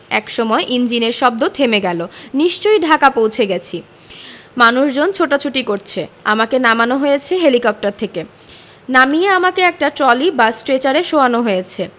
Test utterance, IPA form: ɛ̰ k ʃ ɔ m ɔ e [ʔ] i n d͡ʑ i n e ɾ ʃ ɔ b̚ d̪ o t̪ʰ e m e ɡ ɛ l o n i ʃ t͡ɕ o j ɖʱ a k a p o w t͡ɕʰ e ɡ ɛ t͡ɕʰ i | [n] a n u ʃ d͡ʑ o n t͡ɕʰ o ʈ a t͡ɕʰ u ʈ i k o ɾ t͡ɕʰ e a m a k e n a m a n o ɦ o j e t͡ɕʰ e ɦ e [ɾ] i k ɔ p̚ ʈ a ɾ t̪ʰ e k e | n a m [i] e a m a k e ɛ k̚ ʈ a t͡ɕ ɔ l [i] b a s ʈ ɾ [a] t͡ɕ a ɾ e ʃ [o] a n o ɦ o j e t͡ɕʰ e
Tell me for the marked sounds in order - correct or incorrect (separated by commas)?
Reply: correct, incorrect, incorrect, correct, correct, incorrect, correct